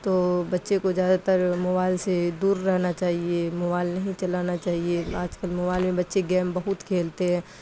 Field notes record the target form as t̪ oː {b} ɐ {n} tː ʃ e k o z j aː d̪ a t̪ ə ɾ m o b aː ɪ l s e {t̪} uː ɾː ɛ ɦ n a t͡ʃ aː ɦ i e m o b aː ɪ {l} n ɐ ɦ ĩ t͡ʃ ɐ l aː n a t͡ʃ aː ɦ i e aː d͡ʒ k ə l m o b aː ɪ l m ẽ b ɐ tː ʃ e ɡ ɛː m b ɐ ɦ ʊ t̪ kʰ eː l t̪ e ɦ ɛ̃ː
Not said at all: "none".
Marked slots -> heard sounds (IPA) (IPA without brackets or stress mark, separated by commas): b, none, d̪, l